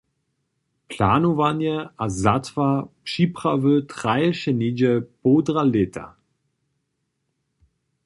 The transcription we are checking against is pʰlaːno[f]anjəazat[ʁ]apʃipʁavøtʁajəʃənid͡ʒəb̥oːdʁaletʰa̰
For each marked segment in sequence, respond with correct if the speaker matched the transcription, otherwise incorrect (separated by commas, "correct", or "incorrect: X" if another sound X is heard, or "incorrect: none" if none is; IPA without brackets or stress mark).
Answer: incorrect: v, incorrect: v